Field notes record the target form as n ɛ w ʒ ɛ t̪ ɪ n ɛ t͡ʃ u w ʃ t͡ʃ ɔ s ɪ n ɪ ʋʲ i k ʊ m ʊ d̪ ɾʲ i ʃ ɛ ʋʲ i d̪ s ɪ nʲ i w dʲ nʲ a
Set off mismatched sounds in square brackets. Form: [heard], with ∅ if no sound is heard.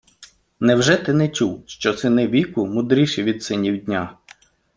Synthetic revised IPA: n ɛ w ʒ ɛ t̪ ɪ n ɛ t͡ʃ u w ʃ t͡ʃ ɔ s ɪ n ɪ ʋʲ i k ʊ m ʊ d̪ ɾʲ i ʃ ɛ ʋʲ i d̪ s ɪ nʲ i w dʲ nʲ a